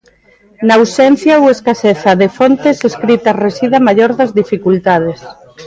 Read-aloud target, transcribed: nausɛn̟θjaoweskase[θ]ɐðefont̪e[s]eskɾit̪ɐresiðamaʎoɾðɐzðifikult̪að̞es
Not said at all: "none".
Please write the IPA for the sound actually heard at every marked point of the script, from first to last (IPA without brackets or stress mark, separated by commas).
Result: θ, s